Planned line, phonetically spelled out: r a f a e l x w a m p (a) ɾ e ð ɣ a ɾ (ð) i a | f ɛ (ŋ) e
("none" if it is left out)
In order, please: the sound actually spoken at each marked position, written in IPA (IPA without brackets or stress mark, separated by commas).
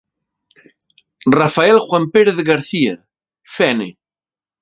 e, θ, n